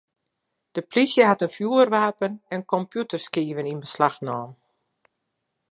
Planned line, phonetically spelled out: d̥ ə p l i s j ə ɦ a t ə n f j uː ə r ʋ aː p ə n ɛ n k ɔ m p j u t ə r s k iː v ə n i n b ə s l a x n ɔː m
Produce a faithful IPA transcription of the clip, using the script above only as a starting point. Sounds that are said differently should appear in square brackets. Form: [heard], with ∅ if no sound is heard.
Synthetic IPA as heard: d̥ ə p l i s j ə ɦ a t ə n f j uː ə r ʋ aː p ə n ɛ n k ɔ m p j u t ə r s k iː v ə n i n b ə s l a x n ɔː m

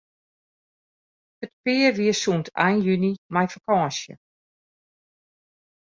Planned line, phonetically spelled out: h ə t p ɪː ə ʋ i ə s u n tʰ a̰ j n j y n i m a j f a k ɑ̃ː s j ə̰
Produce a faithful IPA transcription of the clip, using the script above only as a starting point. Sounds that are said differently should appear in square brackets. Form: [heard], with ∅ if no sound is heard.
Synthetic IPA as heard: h ə t p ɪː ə ʋ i ə s u n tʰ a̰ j n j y n i m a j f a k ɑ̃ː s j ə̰

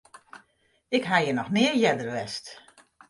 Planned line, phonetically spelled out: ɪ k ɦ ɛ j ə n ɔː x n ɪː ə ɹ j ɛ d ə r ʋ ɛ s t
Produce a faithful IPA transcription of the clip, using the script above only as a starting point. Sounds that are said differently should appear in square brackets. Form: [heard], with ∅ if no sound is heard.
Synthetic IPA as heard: ɪ k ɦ [a] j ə n [ɔ] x n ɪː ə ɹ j ɛ d ə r ʋ ɛ s t

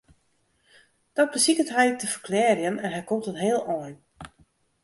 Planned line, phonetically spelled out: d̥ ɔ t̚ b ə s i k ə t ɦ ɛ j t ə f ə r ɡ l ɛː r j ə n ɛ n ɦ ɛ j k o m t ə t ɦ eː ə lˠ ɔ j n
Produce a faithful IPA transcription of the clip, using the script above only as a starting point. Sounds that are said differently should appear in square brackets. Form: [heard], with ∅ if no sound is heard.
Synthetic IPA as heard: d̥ ɔ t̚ b ə s i k ə t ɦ ɛ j t ə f ə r [k] l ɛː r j ə n ɛ n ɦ ɛ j k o m t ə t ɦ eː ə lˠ ɔ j n

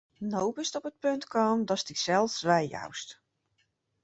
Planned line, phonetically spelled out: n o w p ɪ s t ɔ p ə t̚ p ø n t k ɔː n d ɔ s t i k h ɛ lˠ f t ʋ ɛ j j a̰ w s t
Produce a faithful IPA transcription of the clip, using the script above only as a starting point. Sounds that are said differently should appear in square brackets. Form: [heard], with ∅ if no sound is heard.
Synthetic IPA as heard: n o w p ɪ s t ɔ p ə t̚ p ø n t k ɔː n d ɔ s t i k [s] ɛ lˠ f [s] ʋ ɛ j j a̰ w s t

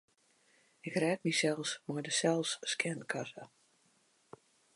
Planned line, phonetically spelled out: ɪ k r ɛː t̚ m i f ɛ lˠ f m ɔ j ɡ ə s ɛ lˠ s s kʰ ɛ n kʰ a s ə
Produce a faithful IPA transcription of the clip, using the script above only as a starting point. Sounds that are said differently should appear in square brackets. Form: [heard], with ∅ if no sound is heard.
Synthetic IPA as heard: ɪ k r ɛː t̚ m i [s] ɛ lˠ [s] m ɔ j [d] ə s ɛ lˠ s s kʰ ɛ n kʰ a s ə

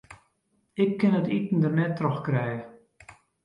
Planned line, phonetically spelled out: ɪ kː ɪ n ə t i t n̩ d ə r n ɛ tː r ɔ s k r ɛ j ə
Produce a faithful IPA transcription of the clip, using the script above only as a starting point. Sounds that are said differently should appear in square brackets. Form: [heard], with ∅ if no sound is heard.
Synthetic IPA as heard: ɪ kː ɪ n ə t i t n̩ d ə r n ɛ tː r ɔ [x] k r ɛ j ə

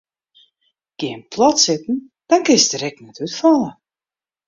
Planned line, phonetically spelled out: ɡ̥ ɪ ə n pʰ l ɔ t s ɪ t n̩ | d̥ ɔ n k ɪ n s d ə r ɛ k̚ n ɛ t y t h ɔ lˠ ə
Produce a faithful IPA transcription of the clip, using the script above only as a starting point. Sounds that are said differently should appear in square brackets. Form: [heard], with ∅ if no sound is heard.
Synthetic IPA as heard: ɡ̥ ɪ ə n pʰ l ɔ t s ɪ t n̩ | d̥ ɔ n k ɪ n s d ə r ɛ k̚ n ɛ t y t [f] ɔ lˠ ə

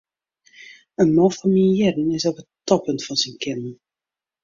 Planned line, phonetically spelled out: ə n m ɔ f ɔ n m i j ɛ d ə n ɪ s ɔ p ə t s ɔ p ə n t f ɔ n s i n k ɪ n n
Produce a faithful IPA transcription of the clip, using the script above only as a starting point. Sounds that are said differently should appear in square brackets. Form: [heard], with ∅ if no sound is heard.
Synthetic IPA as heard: ə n m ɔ f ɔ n m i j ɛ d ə n ɪ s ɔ p ə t [t] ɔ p ə n t f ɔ n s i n k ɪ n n

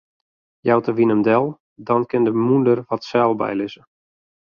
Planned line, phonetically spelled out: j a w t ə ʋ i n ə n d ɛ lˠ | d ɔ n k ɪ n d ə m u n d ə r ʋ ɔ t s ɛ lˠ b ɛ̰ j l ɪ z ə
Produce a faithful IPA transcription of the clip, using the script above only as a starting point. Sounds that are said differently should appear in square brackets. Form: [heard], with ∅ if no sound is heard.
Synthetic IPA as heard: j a w t ə ʋ i n ə [m] d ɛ lˠ | d ɔ n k ɪ n d ə m u n d ə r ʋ ɔ t s ɛ lˠ b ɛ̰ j l ɪ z ə

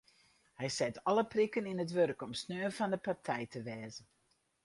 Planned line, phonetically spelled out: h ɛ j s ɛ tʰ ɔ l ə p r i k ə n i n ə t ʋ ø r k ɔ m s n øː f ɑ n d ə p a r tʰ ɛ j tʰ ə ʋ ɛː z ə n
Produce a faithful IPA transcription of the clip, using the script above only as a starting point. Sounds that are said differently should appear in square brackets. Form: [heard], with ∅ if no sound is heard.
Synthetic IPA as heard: h ɛ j s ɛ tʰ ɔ l ə p r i k ə n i n ə t ʋ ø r k ɔ m s n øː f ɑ n d ə p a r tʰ ɛ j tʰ ə ʋ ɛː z ə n

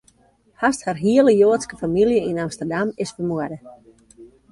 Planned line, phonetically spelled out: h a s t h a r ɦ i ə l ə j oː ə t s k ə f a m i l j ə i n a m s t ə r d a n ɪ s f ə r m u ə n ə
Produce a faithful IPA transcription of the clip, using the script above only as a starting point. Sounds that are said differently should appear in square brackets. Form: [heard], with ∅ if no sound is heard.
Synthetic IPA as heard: h a s t h a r ɦ i ə l ə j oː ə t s k ə f a m i l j ə i n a m s t ə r d a [m] ɪ s f ə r m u ə [d] ə

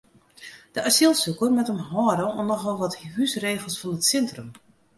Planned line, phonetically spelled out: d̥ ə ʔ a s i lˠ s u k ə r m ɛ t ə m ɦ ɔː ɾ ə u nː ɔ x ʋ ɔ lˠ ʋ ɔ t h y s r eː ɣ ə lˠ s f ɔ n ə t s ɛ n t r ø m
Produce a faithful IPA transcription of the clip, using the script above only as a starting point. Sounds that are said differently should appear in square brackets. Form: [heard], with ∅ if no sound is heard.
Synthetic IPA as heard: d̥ ə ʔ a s i lˠ s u k ə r m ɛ t ə m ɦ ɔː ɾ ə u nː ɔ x ʋ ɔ lˠ ʋ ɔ t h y s r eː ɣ ə lˠ s f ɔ n ə t s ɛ n t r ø m

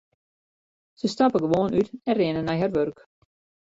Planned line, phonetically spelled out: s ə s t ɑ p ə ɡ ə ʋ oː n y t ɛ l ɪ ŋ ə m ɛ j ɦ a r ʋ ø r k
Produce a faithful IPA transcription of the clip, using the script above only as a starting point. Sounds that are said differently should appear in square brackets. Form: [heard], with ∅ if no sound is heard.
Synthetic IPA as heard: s ə s t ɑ p ə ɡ ə ʋ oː n y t ɛ [r] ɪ [n] ə [n] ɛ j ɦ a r ʋ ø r k

